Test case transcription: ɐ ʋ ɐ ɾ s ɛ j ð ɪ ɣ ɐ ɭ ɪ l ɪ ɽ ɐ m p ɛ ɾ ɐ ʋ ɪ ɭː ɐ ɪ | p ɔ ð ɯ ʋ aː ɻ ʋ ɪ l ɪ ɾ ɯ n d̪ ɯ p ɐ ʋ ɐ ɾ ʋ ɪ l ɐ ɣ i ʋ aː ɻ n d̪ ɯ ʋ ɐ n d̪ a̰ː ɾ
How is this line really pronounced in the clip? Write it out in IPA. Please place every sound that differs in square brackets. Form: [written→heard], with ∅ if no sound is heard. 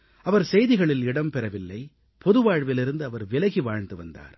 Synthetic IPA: ɐ ʋ ɐ ɾ s ɛ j ð ɪ ɣ ɐ ɭ ɪ l ɪ ɽ ɐ m p ɛ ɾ ɐ ʋ ɪ [ɭː→lː] ɐ ɪ | p ɔ ð ɯ ʋ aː ɻ ʋ ɪ l ɪ ɾ ɯ n d̪ ɯ [p→∅] ɐ ʋ ɐ ɾ ʋ ɪ l ɐ ɣ i ʋ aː ɻ n d̪ ɯ ʋ ɐ n d̪ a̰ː ɾ